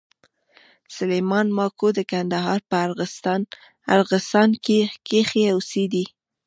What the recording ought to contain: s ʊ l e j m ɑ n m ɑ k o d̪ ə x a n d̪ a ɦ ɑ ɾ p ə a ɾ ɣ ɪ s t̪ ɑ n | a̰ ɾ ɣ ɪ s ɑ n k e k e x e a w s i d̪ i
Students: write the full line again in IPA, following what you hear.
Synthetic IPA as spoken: s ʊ l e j m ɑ n m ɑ k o d̪ ə k a n d̪ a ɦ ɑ ɾ p ə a ɾ ɣ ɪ s t̪ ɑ n | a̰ ɾ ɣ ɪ s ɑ n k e k e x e a w s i d̪ i